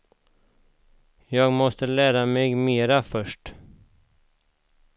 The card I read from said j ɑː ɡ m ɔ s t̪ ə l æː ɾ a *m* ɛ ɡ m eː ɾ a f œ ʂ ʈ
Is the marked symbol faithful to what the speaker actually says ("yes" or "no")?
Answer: yes